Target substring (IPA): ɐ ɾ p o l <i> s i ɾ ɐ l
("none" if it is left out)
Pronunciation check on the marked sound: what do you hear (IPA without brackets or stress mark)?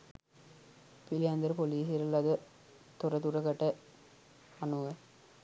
iː